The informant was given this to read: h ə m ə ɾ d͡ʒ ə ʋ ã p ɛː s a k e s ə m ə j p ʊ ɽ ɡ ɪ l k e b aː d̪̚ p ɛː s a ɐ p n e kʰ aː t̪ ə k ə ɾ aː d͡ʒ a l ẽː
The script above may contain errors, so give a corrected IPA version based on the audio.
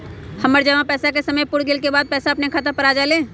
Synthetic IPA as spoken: h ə m ə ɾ d͡ʒ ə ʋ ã p ɛː s a k e s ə m ə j p ʊ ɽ ɡ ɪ l k e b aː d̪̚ p ɛː s a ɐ p n e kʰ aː t̪ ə p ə ɾ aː d͡ʒ a l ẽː